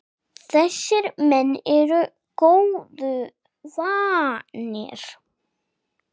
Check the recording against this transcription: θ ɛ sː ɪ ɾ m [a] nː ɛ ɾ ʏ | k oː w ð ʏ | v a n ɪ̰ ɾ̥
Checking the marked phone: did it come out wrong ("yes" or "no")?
yes